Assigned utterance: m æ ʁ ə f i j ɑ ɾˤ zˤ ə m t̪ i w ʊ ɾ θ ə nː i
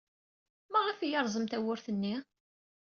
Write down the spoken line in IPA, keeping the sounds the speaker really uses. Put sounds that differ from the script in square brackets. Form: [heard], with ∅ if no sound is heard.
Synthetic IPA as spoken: m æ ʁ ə f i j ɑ ɾˤ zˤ ə m t̪ [æ] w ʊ ɾ θ ə nː i